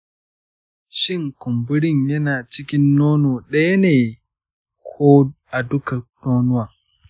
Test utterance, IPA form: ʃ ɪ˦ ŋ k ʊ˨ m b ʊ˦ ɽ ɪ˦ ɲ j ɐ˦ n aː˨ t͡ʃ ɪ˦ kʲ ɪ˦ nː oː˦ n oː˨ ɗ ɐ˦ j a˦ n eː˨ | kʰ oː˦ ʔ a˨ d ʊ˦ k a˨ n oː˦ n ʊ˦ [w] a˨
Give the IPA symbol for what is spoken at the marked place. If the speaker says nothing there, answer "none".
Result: w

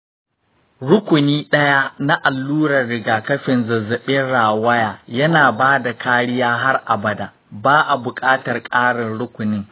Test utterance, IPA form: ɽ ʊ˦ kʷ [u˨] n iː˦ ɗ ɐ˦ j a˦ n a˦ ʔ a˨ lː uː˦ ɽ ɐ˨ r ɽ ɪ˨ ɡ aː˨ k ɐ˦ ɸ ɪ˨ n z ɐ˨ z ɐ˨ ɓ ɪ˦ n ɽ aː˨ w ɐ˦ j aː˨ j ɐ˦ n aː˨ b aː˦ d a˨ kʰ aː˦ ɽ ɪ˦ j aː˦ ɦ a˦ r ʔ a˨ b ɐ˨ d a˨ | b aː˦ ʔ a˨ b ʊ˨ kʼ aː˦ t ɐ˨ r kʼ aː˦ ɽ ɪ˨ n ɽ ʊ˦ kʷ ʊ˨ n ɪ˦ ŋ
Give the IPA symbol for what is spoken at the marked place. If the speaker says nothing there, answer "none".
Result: ʊ˨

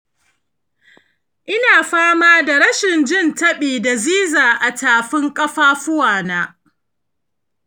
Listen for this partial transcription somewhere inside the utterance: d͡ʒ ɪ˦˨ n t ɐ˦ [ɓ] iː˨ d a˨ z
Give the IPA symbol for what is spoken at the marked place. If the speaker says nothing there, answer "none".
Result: ɓ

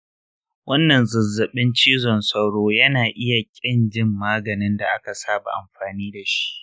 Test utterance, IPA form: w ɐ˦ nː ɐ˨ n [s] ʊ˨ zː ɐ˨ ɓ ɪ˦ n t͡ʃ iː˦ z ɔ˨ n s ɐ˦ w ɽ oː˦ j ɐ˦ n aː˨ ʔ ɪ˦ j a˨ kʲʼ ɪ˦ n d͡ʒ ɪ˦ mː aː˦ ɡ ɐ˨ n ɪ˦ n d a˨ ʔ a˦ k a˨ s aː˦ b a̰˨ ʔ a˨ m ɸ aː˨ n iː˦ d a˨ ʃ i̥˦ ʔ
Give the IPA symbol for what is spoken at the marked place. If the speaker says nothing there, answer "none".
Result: z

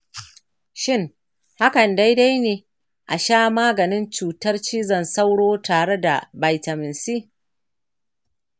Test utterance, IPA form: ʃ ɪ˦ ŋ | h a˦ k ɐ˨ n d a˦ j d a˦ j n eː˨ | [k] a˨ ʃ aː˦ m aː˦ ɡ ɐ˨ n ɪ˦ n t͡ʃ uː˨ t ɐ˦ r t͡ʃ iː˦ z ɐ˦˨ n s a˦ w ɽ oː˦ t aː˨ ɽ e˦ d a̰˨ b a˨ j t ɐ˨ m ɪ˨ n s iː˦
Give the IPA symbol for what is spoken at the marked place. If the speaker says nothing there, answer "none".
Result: ʔ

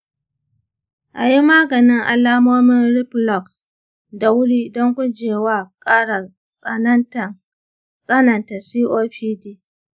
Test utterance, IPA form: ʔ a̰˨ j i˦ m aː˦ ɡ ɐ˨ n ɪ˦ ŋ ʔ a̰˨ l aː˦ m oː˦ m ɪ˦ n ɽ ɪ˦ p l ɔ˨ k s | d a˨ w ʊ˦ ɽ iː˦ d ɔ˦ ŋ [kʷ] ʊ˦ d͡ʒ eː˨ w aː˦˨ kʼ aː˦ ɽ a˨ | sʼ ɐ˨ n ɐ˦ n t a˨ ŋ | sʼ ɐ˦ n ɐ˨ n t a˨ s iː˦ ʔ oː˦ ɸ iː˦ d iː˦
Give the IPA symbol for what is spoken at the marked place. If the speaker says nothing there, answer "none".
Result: kʷ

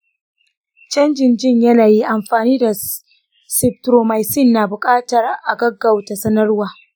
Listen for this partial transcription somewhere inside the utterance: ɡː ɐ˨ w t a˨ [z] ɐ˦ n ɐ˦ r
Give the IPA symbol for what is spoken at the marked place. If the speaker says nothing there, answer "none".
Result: s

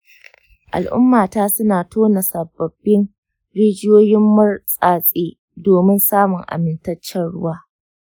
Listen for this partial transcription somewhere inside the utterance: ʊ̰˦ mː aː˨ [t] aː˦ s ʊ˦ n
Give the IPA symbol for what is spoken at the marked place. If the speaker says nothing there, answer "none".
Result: t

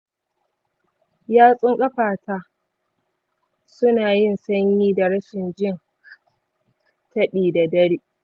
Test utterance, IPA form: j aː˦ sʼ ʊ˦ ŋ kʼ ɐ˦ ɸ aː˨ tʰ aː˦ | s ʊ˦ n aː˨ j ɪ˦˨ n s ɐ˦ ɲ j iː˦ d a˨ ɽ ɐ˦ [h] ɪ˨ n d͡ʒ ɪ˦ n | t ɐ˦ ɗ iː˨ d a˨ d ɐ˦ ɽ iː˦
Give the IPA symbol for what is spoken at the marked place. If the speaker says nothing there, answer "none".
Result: ʃ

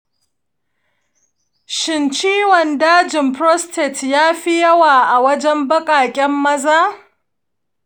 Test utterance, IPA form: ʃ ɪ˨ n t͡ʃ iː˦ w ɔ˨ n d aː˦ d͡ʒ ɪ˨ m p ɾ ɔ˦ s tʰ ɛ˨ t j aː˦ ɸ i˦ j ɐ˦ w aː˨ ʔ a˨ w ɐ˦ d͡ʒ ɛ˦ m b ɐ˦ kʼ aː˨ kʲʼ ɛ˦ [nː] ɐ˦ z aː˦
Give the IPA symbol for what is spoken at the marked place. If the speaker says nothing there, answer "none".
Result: mː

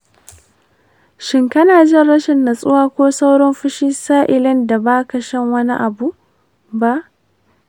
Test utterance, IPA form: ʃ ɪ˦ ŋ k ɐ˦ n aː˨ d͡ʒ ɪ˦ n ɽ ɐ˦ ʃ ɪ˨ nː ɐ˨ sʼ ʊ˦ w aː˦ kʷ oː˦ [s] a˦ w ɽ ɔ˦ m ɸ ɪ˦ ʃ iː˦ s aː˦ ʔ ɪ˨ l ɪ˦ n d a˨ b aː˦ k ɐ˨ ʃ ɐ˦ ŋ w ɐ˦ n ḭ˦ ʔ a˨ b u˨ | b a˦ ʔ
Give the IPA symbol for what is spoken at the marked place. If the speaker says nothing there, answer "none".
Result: s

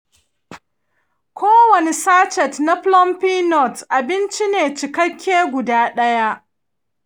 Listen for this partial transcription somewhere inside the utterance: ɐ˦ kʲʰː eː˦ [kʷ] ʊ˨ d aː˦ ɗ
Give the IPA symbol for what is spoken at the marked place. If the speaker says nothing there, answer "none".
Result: ɡʷ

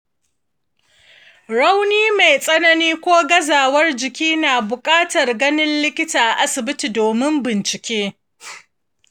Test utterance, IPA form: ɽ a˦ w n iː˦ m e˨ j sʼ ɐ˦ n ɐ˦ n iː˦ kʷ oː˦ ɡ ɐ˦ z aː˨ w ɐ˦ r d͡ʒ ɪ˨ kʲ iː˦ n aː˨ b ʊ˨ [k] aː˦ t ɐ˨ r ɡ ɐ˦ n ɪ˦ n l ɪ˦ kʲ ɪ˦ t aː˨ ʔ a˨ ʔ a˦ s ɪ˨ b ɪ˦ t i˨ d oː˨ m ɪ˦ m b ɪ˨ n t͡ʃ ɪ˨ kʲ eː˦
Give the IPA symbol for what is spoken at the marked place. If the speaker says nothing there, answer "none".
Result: kʼ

